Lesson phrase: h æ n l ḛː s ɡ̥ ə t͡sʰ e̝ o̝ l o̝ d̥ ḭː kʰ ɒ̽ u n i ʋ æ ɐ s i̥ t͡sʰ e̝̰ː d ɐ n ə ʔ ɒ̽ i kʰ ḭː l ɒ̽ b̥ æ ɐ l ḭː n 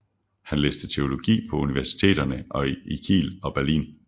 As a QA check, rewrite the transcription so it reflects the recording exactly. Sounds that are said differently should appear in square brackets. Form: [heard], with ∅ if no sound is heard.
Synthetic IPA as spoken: h æ n l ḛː s [d̥] ə t͡sʰ e̝ o̝ l o̝ [ɡ̥] ḭː [pʰ] ɒ̽ u n i ʋ æ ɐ s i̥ t͡sʰ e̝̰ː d ɐ n ə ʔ ɒ̽ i kʰ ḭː l ɒ̽ b̥ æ ɐ l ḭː n